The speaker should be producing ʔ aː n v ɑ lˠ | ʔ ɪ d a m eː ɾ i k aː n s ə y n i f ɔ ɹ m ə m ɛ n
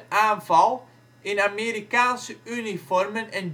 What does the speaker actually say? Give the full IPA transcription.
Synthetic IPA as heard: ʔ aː n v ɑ lˠ | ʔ ɪ n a m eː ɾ i k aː n s ə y n i f ɔ r m ə n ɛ n